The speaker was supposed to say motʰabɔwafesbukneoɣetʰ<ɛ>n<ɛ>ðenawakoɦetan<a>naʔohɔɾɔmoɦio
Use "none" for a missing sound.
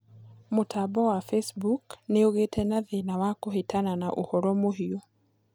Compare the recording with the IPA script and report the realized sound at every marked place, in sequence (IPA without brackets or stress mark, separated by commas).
ɛ, a, a